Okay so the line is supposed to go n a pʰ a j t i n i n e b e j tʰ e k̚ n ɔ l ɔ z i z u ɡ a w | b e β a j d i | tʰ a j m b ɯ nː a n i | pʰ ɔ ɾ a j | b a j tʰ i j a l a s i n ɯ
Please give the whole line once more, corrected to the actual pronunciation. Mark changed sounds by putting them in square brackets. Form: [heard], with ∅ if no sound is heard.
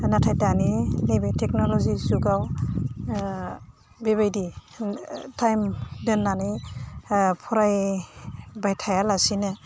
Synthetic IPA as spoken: n a [tʰ] a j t [a] n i n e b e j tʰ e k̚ n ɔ l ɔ z i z u ɡ a w | b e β a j d i | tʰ a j m [d] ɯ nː a n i | pʰ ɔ ɾ a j | b a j tʰ [a] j a l a s i n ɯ